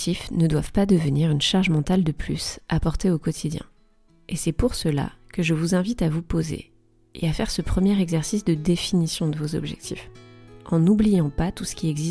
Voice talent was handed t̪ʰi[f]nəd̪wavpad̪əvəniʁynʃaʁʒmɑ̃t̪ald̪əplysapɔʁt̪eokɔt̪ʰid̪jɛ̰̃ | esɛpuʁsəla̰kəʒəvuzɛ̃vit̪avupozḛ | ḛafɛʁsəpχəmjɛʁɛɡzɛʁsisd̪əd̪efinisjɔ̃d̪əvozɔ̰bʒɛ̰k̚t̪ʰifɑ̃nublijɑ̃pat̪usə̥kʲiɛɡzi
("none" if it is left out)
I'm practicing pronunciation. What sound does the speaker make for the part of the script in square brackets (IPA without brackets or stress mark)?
f